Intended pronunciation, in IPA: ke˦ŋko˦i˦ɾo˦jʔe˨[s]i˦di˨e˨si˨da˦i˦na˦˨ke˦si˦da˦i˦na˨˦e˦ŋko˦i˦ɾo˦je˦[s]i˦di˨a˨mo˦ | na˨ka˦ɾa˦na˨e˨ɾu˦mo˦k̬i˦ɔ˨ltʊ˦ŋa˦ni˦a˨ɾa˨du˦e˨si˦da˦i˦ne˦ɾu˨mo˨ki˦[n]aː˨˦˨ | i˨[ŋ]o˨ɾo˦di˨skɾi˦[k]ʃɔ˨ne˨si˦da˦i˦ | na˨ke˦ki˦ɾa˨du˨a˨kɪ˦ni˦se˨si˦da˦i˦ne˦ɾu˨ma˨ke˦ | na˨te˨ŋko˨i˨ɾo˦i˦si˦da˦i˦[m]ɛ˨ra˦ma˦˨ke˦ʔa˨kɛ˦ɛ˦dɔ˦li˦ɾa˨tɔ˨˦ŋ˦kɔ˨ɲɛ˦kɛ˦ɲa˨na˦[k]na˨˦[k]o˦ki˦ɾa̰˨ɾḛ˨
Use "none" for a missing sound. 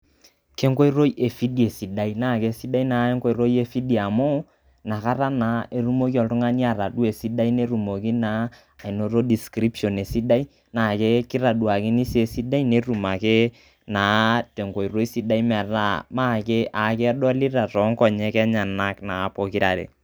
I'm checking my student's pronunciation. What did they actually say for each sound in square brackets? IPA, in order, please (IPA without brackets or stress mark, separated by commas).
f, f, n, n, p, m, k, p